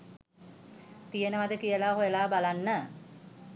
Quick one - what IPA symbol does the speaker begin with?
t̪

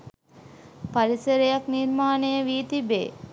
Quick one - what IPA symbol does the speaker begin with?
p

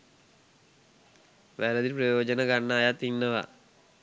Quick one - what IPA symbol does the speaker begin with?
ʋ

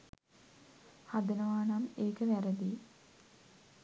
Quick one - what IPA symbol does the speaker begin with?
h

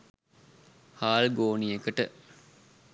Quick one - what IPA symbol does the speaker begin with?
h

